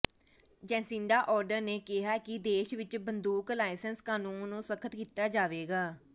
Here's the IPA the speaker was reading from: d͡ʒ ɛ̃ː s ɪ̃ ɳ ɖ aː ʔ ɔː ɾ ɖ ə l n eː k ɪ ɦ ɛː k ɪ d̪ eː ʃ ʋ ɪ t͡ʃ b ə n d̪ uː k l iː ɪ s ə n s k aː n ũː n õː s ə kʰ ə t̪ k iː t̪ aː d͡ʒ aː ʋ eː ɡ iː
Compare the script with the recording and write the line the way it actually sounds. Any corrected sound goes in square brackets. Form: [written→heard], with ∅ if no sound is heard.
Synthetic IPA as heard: d͡ʒ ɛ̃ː s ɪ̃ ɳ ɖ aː ʔ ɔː ɾ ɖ ə [l→ɾ] n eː k ɪ ɦ [ɛː→aː] k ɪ d̪ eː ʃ ʋ ɪ t͡ʃ b ə n d̪ uː k l [iː→aː] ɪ s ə n s k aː n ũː n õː s ə kʰ ə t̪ k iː t̪ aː d͡ʒ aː ʋ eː ɡ [iː→aː]